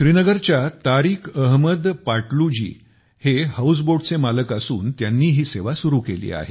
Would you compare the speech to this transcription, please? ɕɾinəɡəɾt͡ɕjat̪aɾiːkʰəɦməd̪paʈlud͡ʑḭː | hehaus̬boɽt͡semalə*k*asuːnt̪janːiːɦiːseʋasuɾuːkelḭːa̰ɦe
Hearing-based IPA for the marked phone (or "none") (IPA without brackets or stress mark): k